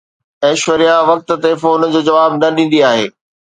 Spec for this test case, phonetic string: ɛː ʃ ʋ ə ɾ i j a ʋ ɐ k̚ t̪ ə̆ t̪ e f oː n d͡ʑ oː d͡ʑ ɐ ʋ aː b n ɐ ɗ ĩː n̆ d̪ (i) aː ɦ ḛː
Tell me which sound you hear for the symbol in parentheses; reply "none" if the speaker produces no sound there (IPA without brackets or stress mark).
i